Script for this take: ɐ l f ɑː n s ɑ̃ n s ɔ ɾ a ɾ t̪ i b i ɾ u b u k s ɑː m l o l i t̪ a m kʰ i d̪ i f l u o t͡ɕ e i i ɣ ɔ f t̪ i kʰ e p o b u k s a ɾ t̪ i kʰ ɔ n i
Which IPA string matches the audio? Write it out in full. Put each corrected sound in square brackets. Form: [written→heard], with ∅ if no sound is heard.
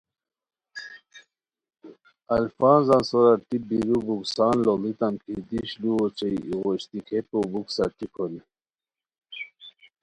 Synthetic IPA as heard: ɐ l f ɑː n [s→z] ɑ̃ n s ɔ ɾ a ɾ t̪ i b i ɾ u b u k s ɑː [m→n] l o l i t̪ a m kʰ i d̪ i [f→ɕ] l u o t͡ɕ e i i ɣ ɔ [f→ɕ] t̪ i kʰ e p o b u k s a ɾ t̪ i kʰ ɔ n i